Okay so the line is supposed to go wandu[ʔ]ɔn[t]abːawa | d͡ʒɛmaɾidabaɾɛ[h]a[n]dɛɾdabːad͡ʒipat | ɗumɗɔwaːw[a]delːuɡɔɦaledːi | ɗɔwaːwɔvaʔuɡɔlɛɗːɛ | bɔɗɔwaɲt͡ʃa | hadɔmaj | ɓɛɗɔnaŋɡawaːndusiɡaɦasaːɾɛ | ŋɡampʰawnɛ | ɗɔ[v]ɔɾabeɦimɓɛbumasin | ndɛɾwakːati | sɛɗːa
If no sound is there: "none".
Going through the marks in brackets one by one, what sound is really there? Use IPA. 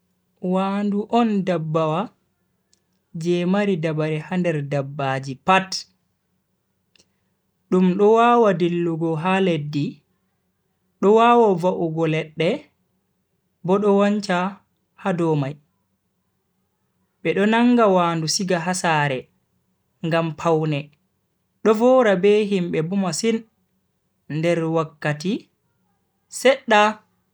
ʔ, d, h, n, a, v

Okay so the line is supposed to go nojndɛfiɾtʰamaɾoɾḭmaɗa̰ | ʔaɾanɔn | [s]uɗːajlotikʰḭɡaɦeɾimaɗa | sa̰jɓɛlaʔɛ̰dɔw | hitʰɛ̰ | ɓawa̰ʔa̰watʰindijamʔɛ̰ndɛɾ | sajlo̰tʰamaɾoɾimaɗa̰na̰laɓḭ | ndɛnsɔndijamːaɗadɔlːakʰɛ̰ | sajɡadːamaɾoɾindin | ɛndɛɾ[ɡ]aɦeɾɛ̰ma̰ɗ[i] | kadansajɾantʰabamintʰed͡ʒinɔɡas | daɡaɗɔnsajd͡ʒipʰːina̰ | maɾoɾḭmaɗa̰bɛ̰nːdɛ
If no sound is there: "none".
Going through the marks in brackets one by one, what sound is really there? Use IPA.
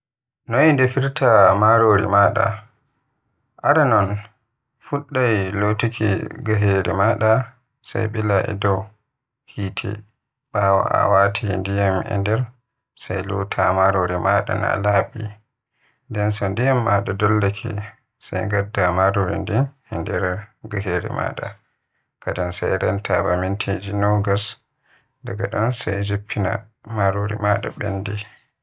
f, ɡ, a

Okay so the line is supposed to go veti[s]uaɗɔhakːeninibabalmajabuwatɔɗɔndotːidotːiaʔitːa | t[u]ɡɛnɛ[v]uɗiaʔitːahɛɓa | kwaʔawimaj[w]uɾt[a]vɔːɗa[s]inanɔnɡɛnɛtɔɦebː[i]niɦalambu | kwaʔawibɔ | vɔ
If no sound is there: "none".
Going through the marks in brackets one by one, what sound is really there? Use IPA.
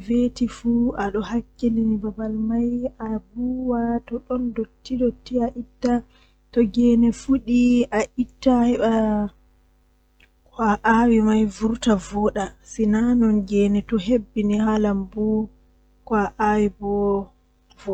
f, ɔ, f, v, a, s, i

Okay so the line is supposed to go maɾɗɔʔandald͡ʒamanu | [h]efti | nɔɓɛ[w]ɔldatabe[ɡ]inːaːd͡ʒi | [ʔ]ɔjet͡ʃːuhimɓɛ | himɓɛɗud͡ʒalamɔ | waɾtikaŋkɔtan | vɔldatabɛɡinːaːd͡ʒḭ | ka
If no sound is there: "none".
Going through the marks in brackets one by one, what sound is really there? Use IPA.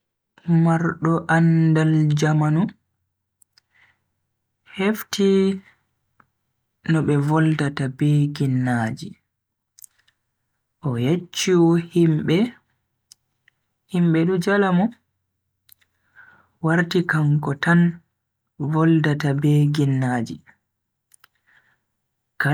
h, v, ɡ, ʔ

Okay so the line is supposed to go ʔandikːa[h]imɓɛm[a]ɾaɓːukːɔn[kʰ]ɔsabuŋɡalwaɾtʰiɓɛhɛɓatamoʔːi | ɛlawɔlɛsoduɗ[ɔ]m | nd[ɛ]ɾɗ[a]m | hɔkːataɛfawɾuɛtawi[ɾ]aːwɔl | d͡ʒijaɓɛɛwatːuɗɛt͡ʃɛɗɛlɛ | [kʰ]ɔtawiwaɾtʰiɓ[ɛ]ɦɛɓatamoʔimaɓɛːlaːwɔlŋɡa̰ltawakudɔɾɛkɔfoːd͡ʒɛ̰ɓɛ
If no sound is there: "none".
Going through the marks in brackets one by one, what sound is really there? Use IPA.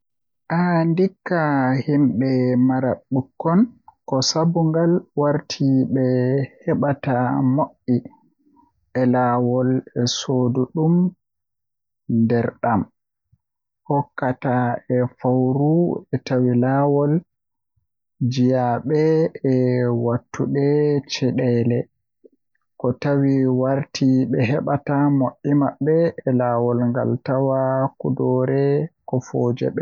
h, a, k, u, ɛ, a, l, k, ɛ

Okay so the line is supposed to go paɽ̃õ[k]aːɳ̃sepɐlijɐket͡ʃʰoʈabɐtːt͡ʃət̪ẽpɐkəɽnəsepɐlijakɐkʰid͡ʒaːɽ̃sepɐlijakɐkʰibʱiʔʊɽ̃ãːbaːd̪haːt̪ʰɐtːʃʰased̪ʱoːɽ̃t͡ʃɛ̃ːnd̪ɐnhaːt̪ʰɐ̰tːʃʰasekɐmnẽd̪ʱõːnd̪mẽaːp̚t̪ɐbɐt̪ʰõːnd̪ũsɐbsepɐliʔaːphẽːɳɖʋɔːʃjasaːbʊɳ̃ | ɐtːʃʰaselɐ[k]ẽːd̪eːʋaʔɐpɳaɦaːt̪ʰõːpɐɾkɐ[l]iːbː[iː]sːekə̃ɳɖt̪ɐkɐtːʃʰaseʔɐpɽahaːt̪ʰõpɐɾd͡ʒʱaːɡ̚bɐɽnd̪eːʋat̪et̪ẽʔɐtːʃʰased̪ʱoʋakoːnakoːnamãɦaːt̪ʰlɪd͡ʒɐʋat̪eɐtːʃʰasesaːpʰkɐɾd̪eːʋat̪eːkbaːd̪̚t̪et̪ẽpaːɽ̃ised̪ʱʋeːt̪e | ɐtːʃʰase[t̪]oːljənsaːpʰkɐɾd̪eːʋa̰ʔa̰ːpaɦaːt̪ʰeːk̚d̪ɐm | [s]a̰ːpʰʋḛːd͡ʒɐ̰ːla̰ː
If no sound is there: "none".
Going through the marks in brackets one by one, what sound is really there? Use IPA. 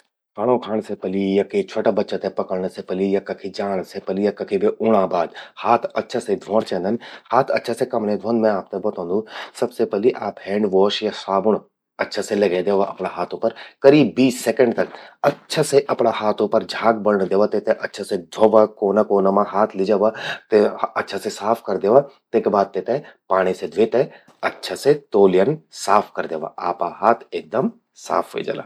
kʰ, ɡ, ɾ, iː, t̪, s

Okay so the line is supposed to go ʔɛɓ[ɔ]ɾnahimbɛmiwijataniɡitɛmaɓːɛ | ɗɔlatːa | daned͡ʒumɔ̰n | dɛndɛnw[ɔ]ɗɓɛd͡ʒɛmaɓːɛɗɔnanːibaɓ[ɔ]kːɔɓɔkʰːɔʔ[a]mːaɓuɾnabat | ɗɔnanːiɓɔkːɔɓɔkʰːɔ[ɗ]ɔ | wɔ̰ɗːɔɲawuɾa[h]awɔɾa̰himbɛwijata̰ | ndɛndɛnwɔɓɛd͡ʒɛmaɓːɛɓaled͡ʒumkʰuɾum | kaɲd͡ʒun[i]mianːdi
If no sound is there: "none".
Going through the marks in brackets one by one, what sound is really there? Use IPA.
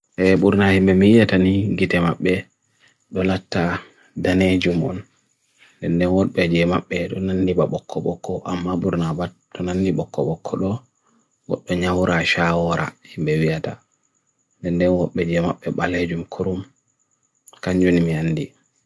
u, ɔ, ɔ, a, ɗ, ʃ, i

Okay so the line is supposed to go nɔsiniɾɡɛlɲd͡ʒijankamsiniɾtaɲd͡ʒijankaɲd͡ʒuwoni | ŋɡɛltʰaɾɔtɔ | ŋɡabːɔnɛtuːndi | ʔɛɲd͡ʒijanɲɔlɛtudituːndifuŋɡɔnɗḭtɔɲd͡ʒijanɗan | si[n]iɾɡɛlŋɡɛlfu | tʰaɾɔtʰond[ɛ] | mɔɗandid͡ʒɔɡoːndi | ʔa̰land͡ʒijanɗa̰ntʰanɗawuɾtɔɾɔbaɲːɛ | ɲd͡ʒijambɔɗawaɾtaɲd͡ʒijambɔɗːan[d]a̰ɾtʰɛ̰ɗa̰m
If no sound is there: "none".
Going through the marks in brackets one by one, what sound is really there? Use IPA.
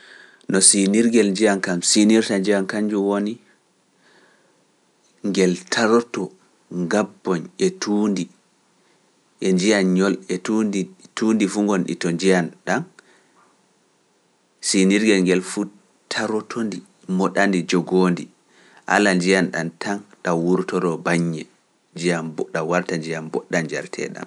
n, i, d͡ʒ

